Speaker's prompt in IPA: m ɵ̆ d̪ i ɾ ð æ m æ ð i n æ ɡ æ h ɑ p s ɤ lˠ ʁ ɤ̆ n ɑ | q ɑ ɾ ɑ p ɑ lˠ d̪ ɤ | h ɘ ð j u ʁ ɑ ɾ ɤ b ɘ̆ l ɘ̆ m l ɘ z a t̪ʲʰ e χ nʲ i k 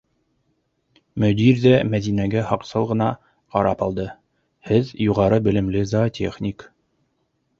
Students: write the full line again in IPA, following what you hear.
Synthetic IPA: m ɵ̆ d̪ i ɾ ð æ m æ ð i n æ ɡ æ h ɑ q s ɤ lˠ ʁ ɤ̆ n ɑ | q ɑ ɾ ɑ p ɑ lˠ d̪ ɤ | h ɘ ð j u ʁ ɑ ɾ ɤ b ɘ̆ l ɘ̆ m l ɘ z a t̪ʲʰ e χ nʲ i k